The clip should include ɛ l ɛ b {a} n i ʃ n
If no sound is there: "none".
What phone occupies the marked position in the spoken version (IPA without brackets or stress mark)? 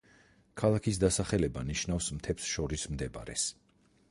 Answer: a